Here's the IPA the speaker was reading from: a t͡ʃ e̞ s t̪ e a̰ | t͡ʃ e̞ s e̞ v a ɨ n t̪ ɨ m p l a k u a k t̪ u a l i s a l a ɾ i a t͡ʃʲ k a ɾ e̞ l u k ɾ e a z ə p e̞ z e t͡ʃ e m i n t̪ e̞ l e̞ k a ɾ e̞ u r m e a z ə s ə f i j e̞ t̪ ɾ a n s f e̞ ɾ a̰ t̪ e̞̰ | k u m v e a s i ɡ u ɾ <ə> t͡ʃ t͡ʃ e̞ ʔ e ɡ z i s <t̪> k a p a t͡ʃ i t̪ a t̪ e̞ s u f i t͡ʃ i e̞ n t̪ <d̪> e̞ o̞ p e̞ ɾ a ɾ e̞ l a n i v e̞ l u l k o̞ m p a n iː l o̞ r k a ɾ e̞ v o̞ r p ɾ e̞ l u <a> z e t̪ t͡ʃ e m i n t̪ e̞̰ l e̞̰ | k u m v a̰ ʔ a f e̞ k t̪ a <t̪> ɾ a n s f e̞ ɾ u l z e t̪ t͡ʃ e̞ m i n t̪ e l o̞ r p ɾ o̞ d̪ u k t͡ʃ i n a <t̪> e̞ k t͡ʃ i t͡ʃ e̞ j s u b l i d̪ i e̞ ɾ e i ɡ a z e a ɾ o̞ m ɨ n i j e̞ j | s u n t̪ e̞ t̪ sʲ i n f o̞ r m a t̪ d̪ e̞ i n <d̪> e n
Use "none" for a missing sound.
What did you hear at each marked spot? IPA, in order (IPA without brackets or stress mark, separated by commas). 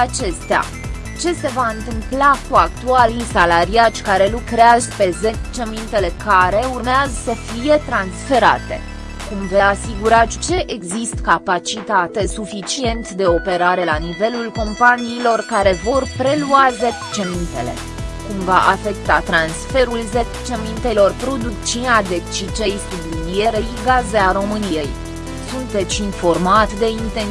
a, t̪, d̪, a, t̪, d̪, t̪